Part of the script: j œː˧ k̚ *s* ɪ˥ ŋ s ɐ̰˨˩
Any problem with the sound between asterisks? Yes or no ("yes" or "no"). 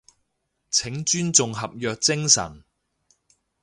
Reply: yes